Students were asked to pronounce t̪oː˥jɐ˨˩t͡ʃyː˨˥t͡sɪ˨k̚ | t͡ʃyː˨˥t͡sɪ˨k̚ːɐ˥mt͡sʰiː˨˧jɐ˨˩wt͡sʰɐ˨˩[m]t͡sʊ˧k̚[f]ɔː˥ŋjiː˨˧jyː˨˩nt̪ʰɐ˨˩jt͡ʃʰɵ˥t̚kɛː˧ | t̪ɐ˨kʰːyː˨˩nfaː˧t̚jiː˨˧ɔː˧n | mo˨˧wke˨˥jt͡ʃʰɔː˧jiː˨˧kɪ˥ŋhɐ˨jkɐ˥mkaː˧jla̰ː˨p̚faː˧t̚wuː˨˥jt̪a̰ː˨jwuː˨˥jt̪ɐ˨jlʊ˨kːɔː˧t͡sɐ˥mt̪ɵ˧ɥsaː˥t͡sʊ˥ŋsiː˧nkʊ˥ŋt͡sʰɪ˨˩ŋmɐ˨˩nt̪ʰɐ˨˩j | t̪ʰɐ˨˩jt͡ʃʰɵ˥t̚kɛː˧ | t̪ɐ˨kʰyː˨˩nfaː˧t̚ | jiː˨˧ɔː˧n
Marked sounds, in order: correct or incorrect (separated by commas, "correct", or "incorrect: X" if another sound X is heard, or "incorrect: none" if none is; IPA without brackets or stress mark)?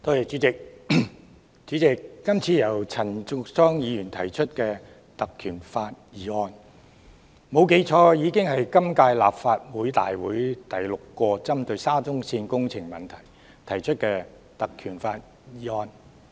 incorrect: n, incorrect: s